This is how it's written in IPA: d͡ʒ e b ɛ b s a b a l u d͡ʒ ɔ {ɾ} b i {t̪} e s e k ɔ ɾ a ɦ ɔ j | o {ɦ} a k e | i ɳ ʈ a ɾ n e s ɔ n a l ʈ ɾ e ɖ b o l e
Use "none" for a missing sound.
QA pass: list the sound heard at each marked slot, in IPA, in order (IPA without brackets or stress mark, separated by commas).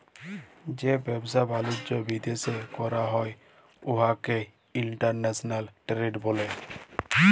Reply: none, d̪, ɦ